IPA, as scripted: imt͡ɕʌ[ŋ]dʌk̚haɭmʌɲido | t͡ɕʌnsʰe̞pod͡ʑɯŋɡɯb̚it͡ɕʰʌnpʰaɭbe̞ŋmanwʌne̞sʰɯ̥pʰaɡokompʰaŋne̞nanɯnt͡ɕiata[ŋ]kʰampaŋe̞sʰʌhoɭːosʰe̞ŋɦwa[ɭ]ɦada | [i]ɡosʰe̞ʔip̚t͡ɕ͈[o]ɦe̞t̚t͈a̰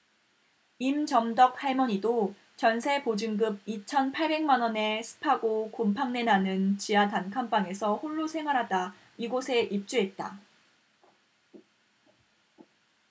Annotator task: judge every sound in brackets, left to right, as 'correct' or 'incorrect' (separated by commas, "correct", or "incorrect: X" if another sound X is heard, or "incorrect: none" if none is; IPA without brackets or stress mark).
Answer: incorrect: m, incorrect: n, incorrect: ɾ, correct, incorrect: u